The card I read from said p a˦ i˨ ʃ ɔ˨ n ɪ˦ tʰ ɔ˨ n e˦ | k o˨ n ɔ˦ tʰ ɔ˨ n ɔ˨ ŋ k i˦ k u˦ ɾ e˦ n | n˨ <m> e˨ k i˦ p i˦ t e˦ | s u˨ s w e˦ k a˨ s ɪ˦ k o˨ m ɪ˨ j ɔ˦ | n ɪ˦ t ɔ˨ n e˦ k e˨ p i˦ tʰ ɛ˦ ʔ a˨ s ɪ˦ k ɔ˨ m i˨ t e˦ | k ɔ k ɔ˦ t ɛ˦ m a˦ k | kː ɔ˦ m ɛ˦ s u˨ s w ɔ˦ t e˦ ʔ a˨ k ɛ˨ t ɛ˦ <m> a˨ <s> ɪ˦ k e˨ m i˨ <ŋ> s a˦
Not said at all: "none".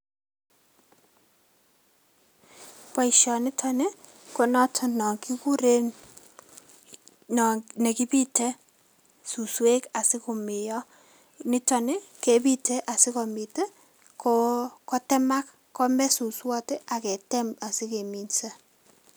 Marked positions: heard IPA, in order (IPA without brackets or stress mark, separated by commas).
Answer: n, m, s, n